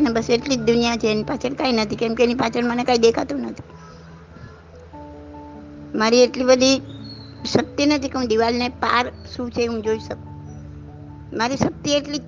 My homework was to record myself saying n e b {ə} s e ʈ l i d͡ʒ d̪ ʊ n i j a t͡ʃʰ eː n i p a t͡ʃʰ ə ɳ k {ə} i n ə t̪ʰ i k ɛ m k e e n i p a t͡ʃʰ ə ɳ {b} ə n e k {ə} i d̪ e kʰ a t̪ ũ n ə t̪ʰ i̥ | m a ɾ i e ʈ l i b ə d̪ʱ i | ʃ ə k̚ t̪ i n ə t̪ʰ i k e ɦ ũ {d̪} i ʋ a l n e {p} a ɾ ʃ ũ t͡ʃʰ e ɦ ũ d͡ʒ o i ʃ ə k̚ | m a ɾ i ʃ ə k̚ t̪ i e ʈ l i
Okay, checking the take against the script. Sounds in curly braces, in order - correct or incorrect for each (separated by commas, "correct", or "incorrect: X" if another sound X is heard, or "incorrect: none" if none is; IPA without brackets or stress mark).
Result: correct, incorrect: a, incorrect: m, incorrect: a, correct, correct